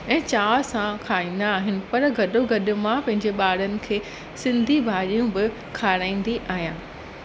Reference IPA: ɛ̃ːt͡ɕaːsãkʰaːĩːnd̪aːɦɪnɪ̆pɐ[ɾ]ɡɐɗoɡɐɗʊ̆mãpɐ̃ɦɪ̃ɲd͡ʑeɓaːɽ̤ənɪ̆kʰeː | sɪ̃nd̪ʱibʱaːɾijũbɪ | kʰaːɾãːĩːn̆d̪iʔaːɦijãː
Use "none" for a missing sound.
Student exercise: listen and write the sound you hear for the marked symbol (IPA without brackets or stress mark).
ɾ